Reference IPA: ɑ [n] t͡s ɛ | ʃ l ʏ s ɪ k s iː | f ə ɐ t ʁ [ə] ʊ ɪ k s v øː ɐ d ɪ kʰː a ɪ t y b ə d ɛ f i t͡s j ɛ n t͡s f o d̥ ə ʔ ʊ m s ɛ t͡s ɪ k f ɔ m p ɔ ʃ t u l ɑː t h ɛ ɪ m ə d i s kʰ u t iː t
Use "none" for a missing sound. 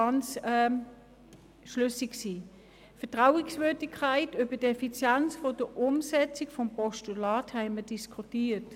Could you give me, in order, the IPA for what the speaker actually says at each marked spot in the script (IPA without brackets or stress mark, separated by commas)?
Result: n, a